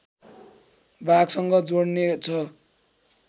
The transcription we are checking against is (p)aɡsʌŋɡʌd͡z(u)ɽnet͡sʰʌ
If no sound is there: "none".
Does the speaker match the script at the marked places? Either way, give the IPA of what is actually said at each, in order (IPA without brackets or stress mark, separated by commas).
b, o